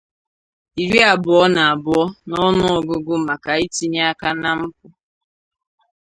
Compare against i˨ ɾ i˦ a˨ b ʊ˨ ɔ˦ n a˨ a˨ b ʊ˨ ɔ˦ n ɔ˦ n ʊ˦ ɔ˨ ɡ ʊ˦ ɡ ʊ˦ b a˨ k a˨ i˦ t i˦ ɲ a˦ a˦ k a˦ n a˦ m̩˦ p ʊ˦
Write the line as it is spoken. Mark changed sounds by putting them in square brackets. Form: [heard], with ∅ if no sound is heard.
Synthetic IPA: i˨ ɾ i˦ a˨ b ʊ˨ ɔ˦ n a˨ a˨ b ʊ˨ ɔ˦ n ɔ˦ n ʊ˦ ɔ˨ ɡ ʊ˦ ɡ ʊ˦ [m] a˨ k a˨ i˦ t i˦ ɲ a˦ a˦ k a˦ n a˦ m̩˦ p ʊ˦

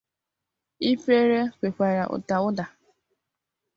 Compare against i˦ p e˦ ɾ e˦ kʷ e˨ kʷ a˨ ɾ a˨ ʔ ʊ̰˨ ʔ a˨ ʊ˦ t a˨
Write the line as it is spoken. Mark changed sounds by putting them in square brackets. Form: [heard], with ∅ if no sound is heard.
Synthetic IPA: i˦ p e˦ ɾ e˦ kʷ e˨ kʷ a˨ ɾ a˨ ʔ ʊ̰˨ [t] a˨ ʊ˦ [d] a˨

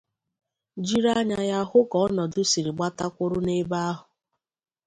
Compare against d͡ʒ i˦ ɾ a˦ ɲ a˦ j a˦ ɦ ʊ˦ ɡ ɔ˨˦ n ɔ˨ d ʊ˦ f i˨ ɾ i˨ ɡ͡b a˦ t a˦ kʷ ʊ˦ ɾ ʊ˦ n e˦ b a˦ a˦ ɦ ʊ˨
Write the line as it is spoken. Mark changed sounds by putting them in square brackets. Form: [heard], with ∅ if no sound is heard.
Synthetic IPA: d͡ʒ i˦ ɾ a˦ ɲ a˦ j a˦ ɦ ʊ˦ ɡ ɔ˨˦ n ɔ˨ d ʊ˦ [s] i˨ ɾ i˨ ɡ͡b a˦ t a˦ kʷ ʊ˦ ɾ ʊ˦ n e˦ b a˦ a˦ ɦ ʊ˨

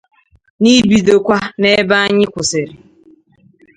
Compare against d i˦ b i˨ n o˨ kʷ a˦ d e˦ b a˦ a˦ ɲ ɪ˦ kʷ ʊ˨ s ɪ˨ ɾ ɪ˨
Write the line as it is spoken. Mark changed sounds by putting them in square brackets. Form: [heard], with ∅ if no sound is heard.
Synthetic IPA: [n] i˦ b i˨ [d] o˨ kʷ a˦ [n] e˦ b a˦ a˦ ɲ ɪ˦ kʷ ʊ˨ s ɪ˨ ɾ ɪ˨

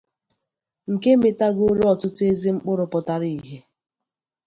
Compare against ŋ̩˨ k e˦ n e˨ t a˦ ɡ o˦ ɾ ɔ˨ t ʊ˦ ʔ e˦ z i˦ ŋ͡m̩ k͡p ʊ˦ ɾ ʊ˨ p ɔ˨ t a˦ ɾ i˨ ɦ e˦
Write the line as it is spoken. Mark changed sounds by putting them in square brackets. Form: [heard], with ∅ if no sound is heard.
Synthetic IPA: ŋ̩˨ k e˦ [m] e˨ t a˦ ɡ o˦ ɾ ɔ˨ t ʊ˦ [t] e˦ z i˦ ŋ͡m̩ k͡p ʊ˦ ɾ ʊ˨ p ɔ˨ t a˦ ɾ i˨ ɦ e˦

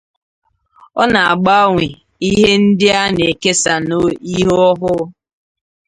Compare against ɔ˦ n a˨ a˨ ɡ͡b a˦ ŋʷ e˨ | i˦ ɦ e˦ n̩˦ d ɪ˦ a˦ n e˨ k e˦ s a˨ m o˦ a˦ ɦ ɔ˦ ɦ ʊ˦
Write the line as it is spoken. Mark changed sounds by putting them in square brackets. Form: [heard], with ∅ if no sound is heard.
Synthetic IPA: ɔ˦ n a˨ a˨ ɡ͡b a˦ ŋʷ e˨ | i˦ ɦ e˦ n̩˦ d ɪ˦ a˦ n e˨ k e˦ s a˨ [n] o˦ [i˦] ɦ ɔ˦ ɦ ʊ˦

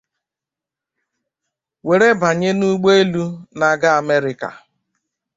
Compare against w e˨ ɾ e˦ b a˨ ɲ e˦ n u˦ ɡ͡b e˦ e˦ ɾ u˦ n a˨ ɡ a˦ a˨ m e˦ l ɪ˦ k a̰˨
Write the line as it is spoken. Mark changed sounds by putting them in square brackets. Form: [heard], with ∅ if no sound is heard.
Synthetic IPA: w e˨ ɾ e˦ b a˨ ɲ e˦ n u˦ ɡ͡b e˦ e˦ [l] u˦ n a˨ ɡ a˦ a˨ m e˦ [ɾ] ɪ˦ k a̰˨

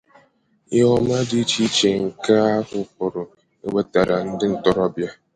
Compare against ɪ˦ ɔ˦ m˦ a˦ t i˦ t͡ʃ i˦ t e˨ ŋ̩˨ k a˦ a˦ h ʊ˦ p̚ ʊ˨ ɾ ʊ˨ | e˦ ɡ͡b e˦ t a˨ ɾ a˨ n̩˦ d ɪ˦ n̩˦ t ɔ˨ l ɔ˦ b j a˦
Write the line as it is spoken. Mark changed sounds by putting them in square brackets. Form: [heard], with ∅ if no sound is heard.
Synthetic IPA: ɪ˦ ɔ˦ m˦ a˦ [d] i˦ t͡ʃ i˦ [t͡ʃ] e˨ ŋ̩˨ k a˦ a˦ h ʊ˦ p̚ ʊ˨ ɾ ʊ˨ | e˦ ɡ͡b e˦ t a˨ ɾ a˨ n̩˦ d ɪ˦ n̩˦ t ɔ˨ [ɾ] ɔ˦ b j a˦

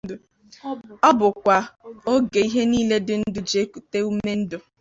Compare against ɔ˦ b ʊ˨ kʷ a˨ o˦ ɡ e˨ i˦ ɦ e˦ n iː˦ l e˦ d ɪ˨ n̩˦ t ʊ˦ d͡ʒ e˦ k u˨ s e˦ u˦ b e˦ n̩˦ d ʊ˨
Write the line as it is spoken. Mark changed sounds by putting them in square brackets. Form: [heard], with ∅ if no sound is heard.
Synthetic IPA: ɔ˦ b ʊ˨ kʷ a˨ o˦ ɡ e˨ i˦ ɦ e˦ n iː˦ l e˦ d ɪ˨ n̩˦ [d] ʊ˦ d͡ʒ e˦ k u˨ [t] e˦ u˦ [m] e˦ n̩˦ d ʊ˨

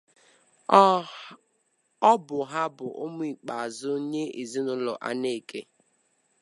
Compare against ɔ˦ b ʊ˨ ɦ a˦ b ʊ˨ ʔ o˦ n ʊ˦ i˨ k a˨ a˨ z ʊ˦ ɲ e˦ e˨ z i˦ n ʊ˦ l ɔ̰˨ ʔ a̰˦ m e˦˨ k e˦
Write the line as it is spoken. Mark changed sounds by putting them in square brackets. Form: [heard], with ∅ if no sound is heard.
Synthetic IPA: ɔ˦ b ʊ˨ ɦ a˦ b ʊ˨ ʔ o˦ [m] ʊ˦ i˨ [k͡p] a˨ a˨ z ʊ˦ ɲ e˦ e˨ z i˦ n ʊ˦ l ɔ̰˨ ʔ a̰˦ [n] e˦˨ k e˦

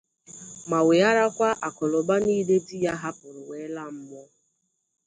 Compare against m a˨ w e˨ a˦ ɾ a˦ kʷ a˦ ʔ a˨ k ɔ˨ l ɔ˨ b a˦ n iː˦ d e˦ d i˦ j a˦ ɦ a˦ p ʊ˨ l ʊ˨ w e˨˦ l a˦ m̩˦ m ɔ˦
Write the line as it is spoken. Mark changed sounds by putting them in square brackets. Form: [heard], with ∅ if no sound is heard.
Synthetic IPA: m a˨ w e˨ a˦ ɾ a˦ kʷ a˦ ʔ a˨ k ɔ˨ l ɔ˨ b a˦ n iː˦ d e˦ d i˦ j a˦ ɦ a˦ p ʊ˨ [ɾ] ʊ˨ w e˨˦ l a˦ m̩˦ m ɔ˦

